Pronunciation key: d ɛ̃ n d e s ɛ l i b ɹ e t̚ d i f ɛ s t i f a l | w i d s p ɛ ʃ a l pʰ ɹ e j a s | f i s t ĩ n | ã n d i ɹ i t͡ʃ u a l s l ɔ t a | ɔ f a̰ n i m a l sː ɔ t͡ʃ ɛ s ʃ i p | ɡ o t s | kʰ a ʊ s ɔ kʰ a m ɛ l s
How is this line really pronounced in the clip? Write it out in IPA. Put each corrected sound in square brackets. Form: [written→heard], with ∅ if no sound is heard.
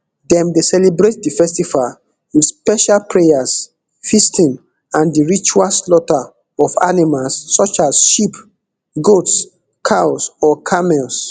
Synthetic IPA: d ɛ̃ [n→m] d e s ɛ l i b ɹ e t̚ d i f ɛ s t i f a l | w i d s p ɛ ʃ a l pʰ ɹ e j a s | f i s t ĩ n | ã n d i ɹ i t͡ʃ u a l s l ɔ t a | ɔ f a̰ n i m a l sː ɔ t͡ʃ [ɛ→a] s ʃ i p | ɡ o t s | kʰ a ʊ s ɔ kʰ a m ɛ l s